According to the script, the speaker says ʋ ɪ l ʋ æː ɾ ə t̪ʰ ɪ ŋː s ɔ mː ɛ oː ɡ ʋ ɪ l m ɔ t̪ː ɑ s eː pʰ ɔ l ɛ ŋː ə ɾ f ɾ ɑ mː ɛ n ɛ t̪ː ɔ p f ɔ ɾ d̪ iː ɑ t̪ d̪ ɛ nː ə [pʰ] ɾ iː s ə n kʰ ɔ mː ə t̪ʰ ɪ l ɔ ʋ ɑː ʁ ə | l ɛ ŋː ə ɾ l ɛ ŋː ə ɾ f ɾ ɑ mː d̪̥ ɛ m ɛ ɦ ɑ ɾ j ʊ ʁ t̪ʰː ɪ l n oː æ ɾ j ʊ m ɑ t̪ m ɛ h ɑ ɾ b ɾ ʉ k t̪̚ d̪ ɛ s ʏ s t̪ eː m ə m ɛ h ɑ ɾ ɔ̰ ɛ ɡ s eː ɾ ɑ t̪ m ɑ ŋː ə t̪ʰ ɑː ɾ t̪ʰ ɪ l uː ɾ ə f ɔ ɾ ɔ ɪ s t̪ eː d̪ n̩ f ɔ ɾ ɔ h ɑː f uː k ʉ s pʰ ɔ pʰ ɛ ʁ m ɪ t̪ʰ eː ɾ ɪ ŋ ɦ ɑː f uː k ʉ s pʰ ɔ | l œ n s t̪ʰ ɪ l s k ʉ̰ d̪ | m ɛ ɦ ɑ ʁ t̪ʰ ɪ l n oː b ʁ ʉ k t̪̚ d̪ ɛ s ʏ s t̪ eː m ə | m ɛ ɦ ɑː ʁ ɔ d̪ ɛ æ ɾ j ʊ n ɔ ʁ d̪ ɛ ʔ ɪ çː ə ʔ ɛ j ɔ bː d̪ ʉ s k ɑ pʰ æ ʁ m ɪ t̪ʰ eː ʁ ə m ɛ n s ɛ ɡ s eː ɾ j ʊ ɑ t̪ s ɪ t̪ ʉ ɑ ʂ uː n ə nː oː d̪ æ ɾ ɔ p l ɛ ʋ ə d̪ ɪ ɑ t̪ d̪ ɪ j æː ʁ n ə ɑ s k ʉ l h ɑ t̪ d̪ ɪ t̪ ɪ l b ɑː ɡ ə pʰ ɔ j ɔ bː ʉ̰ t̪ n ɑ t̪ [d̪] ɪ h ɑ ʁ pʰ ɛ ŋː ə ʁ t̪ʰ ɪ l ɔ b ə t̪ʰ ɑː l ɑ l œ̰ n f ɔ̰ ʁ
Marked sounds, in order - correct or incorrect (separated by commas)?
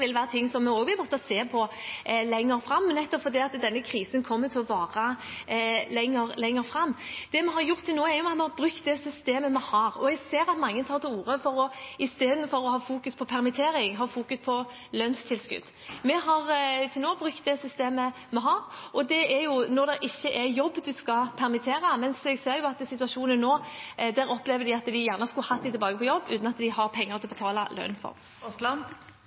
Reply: incorrect, correct